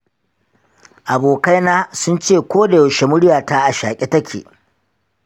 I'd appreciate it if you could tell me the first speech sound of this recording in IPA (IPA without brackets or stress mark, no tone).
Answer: ʔ